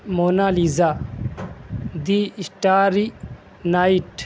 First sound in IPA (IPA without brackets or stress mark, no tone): m